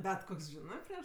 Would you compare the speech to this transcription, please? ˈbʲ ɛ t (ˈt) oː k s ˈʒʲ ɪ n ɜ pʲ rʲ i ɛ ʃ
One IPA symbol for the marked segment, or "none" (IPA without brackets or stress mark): k